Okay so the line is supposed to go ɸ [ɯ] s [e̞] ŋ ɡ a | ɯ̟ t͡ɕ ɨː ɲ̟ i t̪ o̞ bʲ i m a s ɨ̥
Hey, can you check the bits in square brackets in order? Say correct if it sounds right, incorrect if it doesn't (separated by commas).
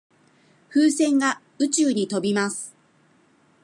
incorrect, incorrect